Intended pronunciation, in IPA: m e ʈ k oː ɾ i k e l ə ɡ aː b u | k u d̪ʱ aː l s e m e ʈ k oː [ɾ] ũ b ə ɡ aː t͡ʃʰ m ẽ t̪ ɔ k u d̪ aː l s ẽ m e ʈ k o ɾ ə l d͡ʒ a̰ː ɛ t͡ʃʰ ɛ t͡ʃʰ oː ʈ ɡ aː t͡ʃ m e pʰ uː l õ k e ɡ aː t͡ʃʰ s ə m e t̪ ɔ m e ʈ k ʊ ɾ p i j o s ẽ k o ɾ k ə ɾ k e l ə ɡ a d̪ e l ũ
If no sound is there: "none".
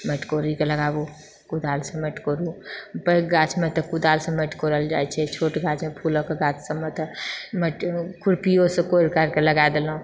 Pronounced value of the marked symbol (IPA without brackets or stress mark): ɾ